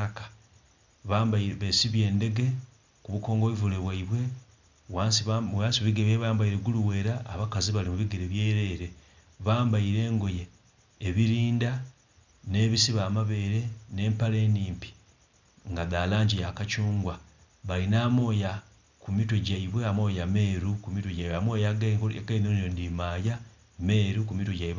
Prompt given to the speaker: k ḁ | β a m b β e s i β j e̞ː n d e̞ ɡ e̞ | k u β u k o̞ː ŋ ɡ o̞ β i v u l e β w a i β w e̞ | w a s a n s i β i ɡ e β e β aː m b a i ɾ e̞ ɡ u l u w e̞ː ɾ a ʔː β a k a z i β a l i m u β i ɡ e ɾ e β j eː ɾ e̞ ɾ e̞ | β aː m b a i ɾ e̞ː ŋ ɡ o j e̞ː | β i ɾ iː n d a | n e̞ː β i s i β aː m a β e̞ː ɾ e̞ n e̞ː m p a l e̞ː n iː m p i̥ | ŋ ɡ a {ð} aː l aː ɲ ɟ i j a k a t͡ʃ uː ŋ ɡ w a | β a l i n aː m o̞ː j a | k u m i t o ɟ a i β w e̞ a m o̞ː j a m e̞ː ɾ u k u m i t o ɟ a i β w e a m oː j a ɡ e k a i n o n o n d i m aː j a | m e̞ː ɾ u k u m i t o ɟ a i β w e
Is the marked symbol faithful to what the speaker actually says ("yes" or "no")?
yes